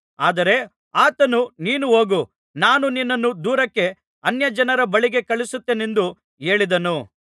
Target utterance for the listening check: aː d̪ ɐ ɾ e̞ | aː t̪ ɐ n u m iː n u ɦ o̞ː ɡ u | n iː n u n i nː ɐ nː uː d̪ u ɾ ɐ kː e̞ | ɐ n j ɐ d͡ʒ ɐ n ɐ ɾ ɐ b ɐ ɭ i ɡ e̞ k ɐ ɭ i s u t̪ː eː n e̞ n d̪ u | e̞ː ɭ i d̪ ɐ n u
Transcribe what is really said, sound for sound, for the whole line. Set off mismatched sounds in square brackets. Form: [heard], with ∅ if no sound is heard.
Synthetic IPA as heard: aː d̪ ɐ ɾ e̞ | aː t̪ ɐ n u [n] iː n u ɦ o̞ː ɡ u | n [aː] n u n i nː ɐ nː [u] d̪ [uː] ɾ ɐ kː e̞ | ɐ n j ɐ d͡ʒ ɐ n ɐ ɾ ɐ b ɐ ɭ i ɡ e̞ k ɐ ɭ i s u t̪ː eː n e̞ n d̪ u | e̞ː ɭ i d̪ ɐ n u